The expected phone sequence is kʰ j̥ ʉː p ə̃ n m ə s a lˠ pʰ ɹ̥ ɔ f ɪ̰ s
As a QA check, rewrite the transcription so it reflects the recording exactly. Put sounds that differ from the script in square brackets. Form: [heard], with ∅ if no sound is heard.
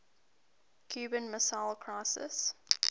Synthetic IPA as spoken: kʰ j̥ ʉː [b] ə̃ n m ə s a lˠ [kʰ] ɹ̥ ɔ [s] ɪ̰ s